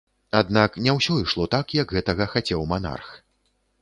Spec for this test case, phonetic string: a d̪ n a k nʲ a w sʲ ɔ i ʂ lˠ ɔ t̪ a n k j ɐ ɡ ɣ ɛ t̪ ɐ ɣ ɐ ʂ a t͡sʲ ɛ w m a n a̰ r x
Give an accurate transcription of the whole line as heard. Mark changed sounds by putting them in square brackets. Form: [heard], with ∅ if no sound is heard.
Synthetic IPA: a d̪ n a k nʲ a w sʲ ɔ i ʂ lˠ ɔ t̪ a [∅] k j ɐ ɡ ɣ ɛ t̪ ɐ ɣ ɐ [x] a t͡sʲ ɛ w m a n a̰ r x